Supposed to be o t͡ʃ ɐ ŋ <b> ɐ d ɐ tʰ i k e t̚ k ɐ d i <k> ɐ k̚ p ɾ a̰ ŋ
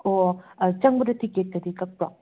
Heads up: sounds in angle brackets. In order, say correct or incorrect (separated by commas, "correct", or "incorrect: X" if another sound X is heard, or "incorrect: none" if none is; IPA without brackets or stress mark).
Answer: correct, correct